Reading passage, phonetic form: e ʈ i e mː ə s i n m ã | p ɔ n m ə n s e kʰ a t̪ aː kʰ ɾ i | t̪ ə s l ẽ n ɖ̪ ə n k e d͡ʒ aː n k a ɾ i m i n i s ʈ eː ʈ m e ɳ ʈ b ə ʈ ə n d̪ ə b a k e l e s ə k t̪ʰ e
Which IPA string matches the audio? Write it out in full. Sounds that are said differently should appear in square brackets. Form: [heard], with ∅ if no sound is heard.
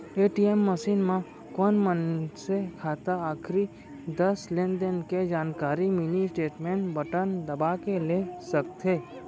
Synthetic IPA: e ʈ i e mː ə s i n m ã | [k] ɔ n m ə n s e kʰ a t̪ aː kʰ ɾ i | [d̪] ə s l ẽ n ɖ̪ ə n k e d͡ʒ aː n k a ɾ i m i n i s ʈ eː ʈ m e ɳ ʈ b ə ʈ ə n d̪ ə b a k e l e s ə k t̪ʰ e